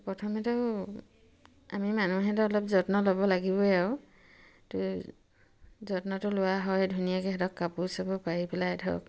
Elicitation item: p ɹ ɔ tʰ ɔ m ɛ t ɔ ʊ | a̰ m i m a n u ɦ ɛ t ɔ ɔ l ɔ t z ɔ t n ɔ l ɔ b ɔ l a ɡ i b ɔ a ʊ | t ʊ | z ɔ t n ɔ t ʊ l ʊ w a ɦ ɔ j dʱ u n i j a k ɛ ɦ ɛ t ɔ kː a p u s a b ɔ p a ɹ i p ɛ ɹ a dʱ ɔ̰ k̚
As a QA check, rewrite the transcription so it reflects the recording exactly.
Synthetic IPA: p ɹ ɔ tʰ ɔ m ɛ t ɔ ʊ | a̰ m i m a n u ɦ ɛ t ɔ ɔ l ɔ p z ɔ t n ɔ l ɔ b ɔ l a ɡ i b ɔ a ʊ | t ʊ | z ɔ t n ɔ t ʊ l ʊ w a ɦ ɔ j dʱ u n i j a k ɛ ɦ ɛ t ɔ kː a p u s a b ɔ p a ɹ i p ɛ l a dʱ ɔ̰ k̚